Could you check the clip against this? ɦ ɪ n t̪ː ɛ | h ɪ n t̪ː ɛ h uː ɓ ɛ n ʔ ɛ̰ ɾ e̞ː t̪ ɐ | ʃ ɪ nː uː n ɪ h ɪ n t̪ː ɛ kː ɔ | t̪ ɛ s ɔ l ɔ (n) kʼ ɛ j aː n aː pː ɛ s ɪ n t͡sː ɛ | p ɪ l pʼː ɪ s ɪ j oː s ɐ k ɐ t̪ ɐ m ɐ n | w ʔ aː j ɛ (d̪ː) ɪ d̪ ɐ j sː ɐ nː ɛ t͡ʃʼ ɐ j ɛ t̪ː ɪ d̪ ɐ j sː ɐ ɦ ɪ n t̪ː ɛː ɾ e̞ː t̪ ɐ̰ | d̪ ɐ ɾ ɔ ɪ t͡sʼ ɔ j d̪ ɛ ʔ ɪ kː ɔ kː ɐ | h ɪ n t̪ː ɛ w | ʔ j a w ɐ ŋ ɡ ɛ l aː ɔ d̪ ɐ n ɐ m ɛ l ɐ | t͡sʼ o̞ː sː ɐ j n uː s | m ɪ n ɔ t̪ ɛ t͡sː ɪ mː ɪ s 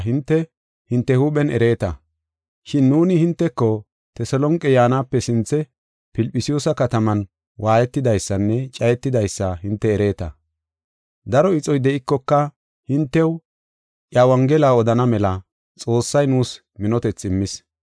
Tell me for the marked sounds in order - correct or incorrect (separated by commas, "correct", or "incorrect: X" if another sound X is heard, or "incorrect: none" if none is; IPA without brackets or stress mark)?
incorrect: ŋ, incorrect: t̪ː